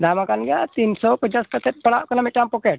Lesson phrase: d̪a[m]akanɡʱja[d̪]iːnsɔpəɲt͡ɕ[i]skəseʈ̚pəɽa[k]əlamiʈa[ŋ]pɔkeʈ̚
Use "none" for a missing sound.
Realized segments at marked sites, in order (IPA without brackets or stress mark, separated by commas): m, t̪, a, k, m